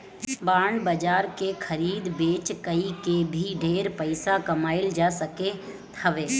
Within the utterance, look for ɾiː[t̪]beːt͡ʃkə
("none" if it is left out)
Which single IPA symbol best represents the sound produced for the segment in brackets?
d̪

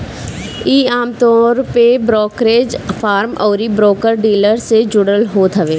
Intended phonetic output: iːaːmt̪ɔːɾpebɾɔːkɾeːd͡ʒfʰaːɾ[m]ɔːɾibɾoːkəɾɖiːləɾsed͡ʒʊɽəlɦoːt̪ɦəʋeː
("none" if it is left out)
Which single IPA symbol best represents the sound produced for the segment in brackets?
m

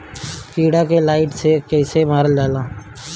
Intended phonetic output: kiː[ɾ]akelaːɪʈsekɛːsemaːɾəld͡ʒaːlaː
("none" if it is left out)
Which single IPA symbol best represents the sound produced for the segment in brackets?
ɽ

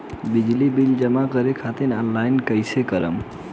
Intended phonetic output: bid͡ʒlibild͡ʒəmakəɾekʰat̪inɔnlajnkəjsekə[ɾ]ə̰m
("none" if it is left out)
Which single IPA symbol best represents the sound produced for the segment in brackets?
ɾ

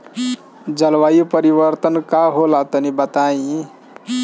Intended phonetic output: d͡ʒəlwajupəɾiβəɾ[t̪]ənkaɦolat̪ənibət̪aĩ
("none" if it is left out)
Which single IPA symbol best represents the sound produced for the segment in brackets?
t̪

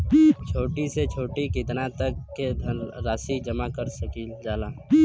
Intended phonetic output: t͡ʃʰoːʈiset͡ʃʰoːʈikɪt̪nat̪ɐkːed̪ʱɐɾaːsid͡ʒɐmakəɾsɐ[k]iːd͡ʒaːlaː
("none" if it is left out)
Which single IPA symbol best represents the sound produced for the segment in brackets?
k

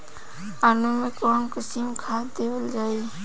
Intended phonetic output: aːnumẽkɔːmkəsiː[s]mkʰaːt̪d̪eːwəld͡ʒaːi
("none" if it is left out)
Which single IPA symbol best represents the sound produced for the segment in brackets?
none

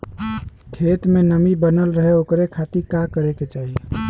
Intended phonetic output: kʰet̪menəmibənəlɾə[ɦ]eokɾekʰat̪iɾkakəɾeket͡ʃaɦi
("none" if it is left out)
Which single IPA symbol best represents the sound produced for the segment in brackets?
ɦ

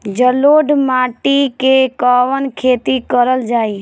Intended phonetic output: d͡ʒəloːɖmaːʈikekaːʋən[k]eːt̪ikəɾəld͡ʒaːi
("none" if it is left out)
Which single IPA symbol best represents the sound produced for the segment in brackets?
kʰ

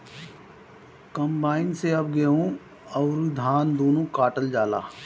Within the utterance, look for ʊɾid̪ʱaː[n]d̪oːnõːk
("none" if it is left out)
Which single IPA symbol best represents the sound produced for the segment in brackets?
n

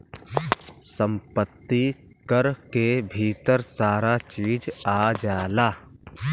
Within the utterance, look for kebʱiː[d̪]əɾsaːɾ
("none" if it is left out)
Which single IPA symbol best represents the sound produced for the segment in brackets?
t̪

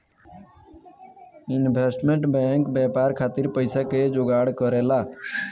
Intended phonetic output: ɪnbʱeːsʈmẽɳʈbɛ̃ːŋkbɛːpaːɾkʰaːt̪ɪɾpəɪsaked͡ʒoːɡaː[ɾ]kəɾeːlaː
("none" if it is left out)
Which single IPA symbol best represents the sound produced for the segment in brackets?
ɽ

